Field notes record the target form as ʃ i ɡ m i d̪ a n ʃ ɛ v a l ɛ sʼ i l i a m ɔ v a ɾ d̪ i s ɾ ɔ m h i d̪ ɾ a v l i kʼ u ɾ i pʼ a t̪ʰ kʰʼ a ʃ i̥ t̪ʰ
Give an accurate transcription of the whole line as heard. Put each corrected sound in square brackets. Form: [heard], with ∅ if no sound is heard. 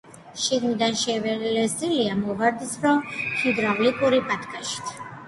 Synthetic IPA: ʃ i ɡ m i d̪ a n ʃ ɛ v [ɛ] l ɛ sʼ i l i a m ɔ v a ɾ d̪ i s ɾ ɔ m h i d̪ ɾ a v l i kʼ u ɾ i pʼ a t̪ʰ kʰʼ a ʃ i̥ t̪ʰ